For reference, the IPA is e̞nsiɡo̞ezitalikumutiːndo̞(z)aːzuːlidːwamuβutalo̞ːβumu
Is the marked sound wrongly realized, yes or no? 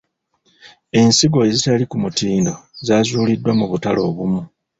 no